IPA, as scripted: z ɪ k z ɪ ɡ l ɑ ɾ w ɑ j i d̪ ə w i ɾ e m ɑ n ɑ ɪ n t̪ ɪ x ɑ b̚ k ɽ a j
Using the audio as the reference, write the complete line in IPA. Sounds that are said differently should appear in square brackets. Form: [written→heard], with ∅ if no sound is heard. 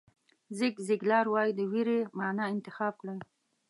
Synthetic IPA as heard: z ɪ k z ɪ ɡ l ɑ ɾ w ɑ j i d̪ ə w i ɾ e m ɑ n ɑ ɪ n t̪ ɪ x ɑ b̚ k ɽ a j